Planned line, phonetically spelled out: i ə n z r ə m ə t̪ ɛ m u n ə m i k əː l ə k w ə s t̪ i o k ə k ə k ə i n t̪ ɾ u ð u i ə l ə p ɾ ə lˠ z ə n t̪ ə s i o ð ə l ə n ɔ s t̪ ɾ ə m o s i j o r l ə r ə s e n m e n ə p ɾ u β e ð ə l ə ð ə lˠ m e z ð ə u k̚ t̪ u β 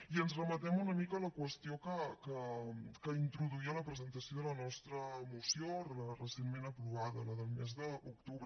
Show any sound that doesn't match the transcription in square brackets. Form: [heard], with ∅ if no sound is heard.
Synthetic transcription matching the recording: i ə n z r ə m ə t̪ ɛ m u n ə m i k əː l ə k w ə s t̪ i o k ə k ə k ə i n t̪ ɾ u ð u i ə l ə p ɾ ə [∅] z ə n t̪ ə s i o ð ə l ə n ɔ s t̪ ɾ ə m [u] s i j o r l ə r ə s e n m e n ə p ɾ u β [a] ð ə l ə ð ə lˠ m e z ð ə u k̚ t̪ u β

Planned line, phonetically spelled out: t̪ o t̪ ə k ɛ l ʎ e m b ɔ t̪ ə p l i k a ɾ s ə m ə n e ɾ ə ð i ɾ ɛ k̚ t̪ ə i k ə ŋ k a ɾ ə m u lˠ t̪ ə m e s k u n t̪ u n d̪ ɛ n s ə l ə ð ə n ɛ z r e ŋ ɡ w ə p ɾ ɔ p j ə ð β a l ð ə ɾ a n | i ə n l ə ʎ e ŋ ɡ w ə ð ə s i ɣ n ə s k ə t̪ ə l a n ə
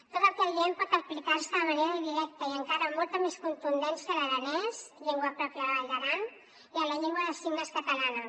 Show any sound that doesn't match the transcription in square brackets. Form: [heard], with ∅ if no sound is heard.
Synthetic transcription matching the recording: t̪ o t̪ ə k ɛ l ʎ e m [p] ɔ t̪ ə p l i k a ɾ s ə m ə n e ɾ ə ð i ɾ ɛ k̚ t̪ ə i [∅] ə ŋ k a ɾ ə m [ɔ] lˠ t̪ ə m e s k u n t̪ u n d̪ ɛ n s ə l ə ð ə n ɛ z [ʎ] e ŋ ɡ w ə p ɾ ɔ p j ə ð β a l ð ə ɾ a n | i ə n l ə ʎ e ŋ ɡ w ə ð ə s i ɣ n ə s k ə t̪ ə l a n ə

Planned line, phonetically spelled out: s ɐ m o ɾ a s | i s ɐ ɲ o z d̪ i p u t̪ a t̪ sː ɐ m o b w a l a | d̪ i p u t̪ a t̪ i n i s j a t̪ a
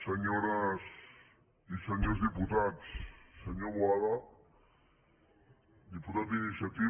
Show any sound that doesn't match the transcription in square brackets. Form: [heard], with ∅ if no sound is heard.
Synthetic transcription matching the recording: s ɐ [ɲ] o ɾ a s | i s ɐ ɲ o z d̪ i p u t̪ a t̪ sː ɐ [ɲ] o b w a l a | d̪ i p u t̪ a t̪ i n i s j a t̪ [i]

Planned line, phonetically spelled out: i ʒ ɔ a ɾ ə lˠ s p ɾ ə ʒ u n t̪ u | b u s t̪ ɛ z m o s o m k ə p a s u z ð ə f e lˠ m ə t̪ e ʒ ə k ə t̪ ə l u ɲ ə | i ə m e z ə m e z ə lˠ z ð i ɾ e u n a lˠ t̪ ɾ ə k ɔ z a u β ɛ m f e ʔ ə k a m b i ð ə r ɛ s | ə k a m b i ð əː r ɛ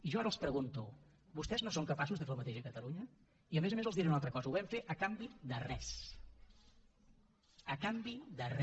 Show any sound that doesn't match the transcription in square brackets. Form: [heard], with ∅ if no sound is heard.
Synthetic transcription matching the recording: i ʒ ɔ a ɾ ə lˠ s p ɾ ə [ɣ] u n t̪ u | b u s t̪ ɛ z [n] o s o [ŋ] k ə p a s u z ð ə f e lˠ m ə t̪ e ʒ ə k ə t̪ ə l u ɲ ə | i ə m e z ə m e z ə lˠ z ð i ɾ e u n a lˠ t̪ ɾ ə k ɔ z [ə] u β ɛ m f e ʔ ə k a m b i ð ə r ɛ s | ə k a m b i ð [ə] r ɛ

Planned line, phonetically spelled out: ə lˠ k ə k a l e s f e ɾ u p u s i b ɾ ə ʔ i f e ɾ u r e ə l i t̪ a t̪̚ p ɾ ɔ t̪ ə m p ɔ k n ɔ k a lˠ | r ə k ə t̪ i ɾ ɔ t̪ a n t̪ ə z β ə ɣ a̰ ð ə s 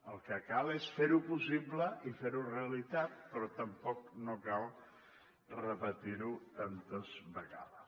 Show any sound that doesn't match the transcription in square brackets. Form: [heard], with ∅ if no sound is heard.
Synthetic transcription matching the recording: ə lˠ k ə k a l e s f e ɾ u p u s i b [l] ə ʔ i f e ɾ u r e ə l i t̪ a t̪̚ p ɾ ɔ t̪ ə m p ɔ k n [o] k a lˠ | r ə [p] ə t̪ i ɾ [u] t̪ a n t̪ ə z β ə ɣ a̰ ð ə s

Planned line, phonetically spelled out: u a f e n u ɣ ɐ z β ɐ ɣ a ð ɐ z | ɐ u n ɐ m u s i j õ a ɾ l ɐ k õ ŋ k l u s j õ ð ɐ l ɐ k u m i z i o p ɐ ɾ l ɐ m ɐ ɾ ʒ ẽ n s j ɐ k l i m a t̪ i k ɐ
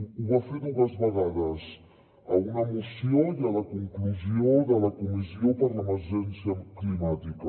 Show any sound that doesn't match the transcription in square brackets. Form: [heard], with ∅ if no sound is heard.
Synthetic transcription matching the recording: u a f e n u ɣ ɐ z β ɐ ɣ a ð ɐ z | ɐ u n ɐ m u s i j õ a [∅] l ɐ k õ ŋ k l u [z] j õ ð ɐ l ɐ k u m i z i o p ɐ ɾ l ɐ m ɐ ɾ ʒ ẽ n s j ɐ k l i m a t̪ i k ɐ

